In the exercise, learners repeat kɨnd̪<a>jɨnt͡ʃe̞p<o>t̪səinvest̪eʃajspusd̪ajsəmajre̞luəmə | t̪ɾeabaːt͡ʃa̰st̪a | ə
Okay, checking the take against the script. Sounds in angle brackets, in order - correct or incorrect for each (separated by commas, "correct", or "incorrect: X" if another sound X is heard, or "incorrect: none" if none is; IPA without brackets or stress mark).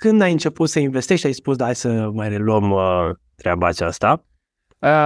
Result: correct, incorrect: u